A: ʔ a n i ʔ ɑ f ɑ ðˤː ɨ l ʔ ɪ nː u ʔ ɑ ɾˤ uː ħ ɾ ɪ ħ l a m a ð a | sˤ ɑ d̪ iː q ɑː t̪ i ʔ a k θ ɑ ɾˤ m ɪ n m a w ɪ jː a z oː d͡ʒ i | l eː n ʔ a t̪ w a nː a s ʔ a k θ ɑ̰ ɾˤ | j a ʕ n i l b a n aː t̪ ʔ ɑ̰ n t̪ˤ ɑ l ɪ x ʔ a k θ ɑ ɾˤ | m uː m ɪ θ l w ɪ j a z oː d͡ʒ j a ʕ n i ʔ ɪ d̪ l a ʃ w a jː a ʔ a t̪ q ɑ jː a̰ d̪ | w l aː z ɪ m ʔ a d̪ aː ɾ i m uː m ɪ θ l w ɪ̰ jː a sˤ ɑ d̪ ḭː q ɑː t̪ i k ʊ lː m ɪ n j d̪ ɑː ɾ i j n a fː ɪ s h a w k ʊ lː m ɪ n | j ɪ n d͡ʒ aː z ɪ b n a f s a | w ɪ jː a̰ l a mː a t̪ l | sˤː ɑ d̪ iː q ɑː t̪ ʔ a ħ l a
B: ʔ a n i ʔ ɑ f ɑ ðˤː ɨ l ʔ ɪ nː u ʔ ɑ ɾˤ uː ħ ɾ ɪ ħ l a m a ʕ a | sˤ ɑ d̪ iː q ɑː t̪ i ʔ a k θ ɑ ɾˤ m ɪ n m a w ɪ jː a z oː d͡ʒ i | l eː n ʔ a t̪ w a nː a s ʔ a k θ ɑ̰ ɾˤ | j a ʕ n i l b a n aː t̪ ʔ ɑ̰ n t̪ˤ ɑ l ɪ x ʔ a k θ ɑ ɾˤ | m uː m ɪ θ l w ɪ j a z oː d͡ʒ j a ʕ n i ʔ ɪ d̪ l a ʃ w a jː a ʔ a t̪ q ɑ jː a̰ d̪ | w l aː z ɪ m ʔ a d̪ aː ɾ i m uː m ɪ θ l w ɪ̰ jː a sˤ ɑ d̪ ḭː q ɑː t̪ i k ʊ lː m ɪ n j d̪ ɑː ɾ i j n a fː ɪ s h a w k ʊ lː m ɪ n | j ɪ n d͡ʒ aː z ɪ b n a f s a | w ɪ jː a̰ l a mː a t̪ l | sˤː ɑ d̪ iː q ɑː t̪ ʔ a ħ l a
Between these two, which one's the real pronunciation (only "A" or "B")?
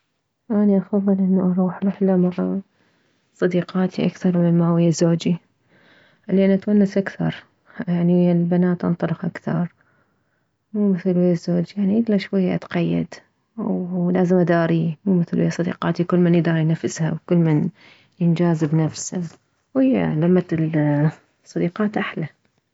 B